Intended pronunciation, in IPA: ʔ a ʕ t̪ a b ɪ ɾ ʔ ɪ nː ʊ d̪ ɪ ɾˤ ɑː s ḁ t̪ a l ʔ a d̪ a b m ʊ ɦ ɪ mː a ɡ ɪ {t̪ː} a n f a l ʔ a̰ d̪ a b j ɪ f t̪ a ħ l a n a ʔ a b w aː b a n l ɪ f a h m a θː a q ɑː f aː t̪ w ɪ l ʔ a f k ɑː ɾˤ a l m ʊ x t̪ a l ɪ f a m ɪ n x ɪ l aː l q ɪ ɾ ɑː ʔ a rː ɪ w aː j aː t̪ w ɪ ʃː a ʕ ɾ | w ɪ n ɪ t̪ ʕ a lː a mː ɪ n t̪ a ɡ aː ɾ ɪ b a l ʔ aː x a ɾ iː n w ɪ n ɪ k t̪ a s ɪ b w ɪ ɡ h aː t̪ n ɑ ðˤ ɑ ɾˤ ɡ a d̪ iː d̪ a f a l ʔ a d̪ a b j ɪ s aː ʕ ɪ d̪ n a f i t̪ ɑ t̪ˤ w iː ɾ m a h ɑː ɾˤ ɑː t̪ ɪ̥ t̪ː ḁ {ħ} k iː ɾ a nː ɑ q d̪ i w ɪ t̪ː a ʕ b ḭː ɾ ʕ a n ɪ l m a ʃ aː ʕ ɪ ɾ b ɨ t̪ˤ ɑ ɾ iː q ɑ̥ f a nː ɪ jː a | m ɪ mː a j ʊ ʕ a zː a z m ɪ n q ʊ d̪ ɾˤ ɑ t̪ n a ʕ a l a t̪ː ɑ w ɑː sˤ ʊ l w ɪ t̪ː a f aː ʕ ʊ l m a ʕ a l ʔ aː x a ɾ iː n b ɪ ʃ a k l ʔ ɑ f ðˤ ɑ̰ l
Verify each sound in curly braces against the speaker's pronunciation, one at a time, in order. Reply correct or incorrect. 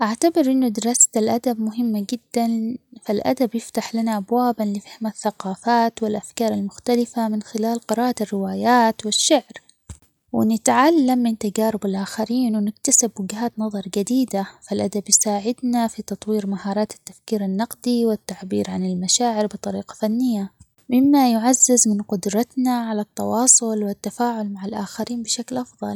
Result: incorrect: d̪ː, incorrect: f

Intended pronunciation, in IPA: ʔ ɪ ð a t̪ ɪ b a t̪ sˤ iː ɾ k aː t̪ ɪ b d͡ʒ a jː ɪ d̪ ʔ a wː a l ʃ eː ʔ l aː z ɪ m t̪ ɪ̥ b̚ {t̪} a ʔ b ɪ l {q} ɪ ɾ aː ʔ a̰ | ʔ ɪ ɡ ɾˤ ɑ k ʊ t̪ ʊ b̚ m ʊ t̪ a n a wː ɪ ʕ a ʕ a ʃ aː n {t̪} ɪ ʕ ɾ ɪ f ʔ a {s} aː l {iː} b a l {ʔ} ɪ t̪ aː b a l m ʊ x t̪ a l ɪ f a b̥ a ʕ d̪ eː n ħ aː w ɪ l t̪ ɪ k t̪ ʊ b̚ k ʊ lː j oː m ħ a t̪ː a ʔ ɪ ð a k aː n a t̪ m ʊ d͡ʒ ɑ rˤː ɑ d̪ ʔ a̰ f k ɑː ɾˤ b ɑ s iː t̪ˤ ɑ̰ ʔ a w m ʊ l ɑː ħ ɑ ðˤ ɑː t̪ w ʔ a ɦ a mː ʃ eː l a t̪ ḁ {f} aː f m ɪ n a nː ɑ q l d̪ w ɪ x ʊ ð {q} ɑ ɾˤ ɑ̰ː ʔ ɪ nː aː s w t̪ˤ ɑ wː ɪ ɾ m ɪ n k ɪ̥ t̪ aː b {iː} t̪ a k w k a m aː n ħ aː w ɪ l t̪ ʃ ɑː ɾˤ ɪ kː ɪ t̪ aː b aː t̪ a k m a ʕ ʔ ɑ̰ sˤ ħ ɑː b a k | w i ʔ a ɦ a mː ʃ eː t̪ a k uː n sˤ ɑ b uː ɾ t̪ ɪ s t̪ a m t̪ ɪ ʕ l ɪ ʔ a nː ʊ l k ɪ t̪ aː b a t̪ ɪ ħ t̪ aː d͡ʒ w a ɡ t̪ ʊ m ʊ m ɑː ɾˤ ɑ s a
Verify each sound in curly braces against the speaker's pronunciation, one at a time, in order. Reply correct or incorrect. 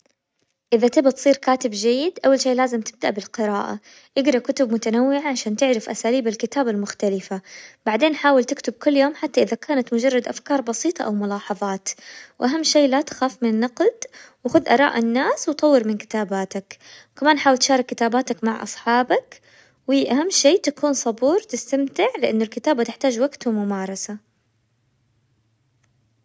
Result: incorrect: d̪, correct, correct, correct, correct, incorrect: k, incorrect: x, incorrect: ʔ, incorrect: aː

